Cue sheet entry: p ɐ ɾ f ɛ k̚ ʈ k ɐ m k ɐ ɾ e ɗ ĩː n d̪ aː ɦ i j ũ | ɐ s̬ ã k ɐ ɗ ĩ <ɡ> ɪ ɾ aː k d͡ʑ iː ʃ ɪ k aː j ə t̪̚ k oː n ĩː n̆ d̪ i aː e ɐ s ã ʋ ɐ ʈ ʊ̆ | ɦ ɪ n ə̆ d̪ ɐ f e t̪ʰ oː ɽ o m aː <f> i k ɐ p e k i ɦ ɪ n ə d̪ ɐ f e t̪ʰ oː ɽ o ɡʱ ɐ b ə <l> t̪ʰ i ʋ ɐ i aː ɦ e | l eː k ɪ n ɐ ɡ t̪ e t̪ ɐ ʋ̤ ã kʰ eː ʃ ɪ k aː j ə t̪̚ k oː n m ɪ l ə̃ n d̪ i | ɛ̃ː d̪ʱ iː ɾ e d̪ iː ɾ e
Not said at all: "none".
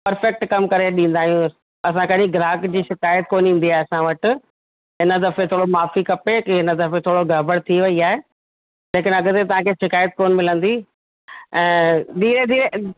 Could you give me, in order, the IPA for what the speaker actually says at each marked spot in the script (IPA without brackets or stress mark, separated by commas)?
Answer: ɡ, f, ɽ